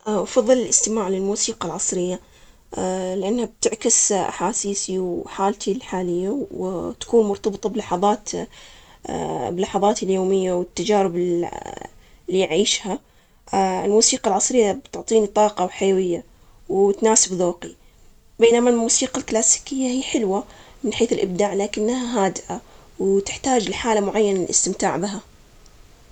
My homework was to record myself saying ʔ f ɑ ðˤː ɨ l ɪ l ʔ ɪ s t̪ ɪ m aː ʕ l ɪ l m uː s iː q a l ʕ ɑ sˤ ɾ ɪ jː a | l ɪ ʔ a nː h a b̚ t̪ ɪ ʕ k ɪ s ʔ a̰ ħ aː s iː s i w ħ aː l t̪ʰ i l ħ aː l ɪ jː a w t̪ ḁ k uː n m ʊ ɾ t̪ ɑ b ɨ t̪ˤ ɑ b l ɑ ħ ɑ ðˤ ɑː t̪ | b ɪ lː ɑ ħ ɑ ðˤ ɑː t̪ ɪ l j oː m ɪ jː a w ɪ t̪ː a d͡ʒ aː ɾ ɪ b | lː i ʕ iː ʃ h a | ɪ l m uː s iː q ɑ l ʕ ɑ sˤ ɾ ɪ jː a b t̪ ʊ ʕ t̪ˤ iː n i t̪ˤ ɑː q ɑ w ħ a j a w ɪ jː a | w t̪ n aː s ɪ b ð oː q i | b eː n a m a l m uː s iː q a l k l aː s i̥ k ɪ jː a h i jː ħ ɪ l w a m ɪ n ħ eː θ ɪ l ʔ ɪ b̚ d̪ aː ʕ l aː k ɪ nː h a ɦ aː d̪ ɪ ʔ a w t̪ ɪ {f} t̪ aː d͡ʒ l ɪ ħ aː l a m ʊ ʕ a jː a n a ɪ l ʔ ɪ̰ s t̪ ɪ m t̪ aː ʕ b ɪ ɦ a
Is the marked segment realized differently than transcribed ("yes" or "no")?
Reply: yes